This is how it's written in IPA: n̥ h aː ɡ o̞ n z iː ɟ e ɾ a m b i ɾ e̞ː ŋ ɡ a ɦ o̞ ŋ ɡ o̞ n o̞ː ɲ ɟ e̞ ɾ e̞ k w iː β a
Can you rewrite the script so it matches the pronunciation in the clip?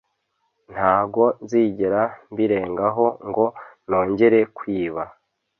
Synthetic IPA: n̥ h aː ɡ o̞ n z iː ɟ e ɾ a m b i ɾ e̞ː ŋ ɡ a ɦ o̞ ŋ ɡ o̞ n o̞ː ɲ ɟ e̞ ɾ e̞ k w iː β a